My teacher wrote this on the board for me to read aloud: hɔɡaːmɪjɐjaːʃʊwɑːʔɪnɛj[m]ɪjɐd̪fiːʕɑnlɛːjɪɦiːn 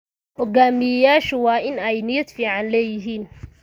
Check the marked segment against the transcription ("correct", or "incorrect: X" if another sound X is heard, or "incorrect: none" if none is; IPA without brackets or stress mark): incorrect: n